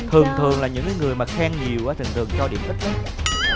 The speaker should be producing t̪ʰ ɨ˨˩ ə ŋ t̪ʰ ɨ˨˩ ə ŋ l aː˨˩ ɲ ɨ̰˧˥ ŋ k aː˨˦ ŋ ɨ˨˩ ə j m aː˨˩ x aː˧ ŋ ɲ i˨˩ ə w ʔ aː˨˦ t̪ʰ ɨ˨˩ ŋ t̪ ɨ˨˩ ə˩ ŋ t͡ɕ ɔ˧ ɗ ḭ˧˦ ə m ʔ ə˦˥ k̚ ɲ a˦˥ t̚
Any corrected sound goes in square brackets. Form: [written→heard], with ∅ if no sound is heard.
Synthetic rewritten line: t̪ʰ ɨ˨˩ ə ŋ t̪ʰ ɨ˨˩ ə ŋ l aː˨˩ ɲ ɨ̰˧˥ ŋ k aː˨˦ ŋ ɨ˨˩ ə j m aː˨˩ x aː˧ ŋ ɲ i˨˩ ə w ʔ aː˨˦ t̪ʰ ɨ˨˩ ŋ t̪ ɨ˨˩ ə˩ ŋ t͡ɕ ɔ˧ ɗ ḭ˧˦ ə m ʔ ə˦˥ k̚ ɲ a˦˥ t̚